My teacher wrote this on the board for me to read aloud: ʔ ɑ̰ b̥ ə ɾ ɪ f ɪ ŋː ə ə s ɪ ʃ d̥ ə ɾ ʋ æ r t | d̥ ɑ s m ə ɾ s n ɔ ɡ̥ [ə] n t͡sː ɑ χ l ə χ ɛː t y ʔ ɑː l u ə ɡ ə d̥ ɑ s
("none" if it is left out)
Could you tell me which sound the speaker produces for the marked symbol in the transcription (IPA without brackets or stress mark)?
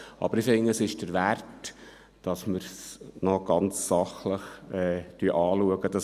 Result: ɑ